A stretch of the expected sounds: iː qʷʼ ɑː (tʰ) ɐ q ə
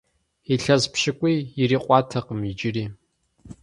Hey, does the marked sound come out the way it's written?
yes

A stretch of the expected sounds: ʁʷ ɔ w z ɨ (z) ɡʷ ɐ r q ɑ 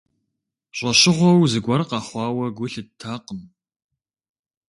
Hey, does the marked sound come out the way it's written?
no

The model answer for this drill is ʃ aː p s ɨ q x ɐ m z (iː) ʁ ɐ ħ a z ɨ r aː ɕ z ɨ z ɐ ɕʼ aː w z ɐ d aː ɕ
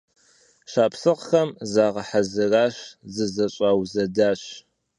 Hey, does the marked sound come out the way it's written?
no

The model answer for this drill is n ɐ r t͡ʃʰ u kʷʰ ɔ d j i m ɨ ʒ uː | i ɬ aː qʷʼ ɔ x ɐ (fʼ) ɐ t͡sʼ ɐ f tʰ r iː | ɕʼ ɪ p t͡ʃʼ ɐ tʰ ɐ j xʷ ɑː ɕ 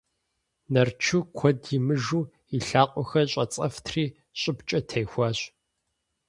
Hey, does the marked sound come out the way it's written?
no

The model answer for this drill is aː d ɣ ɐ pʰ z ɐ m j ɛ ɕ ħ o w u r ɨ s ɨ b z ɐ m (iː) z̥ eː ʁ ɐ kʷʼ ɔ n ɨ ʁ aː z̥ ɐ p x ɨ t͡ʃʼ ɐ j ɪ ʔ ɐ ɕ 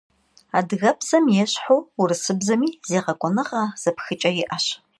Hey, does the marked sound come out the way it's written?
yes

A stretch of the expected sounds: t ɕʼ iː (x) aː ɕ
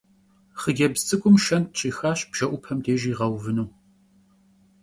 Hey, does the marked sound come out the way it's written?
yes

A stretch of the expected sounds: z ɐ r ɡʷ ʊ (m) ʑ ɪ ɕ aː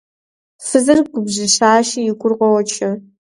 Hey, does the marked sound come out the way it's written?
no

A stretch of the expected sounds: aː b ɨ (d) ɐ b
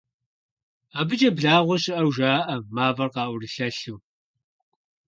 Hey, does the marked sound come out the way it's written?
no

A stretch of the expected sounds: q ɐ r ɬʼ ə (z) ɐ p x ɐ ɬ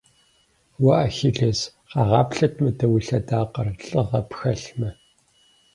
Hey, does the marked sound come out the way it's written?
no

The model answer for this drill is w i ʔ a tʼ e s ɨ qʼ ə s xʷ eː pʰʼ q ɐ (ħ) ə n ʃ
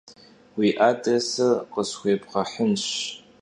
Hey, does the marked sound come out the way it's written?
yes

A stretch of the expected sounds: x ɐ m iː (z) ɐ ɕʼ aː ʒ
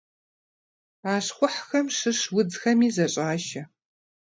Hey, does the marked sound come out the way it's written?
yes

